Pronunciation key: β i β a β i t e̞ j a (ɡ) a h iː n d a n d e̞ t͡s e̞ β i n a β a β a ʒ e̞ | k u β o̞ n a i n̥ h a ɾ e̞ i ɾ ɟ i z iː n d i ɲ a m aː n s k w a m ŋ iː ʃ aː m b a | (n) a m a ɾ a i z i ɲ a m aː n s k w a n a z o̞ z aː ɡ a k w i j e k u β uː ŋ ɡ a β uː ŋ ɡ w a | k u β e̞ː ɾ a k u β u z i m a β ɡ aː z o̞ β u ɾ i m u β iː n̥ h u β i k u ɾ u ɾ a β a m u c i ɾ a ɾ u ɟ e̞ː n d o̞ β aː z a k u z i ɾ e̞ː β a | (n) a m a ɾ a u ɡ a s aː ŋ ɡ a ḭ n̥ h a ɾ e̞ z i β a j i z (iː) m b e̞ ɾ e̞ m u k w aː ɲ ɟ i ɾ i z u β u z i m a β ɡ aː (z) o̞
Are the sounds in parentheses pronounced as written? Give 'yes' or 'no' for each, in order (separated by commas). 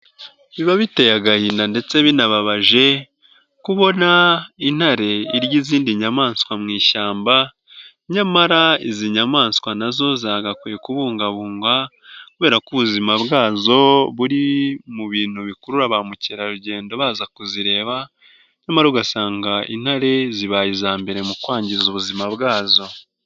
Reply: yes, no, no, no, yes